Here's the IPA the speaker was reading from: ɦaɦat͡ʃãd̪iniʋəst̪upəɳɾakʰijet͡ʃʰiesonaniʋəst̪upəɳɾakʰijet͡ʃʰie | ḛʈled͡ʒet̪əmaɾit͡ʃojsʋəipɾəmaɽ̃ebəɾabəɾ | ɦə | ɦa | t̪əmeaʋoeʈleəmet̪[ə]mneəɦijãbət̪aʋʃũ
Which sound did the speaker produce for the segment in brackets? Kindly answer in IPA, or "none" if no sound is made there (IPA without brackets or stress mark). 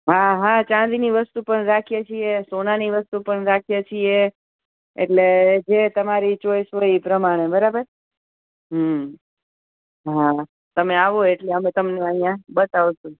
ə